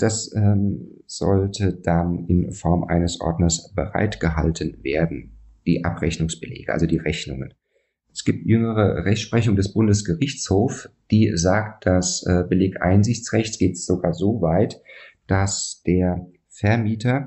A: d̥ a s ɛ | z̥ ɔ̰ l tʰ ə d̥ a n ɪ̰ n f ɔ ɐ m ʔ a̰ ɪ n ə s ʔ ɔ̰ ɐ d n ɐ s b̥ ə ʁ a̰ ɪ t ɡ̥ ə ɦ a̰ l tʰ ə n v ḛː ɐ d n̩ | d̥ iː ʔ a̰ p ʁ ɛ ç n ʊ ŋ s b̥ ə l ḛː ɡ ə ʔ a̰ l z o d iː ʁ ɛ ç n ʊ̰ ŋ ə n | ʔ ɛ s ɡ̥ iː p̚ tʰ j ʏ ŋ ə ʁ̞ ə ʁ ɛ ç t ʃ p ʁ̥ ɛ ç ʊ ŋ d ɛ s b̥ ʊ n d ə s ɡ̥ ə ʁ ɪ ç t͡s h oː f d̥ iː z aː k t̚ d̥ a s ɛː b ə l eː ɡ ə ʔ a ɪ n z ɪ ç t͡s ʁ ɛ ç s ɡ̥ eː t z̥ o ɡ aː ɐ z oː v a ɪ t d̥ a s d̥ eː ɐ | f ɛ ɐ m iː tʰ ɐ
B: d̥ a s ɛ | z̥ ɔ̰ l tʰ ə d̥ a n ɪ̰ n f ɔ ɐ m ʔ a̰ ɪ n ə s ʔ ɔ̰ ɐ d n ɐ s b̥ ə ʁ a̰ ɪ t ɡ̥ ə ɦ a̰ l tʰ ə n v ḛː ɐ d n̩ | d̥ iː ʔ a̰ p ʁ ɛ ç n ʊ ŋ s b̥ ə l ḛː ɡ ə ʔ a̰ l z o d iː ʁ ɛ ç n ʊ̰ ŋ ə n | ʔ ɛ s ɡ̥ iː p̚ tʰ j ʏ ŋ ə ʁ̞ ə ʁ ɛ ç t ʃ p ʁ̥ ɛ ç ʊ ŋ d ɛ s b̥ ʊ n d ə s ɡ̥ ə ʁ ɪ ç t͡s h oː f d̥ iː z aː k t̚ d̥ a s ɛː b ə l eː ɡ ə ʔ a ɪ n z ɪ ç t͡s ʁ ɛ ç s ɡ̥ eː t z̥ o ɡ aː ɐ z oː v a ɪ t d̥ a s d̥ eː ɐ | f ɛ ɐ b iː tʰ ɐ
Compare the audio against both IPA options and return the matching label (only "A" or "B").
A